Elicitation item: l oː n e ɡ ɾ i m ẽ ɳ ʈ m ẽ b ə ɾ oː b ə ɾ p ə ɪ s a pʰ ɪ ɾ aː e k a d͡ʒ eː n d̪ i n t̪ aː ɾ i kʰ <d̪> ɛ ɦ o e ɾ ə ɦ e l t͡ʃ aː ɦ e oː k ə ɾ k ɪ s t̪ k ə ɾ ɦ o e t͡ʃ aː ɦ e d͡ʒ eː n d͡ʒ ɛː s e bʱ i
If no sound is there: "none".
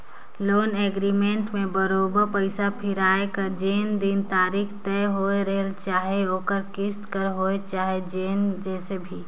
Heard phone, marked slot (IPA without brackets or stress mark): t̪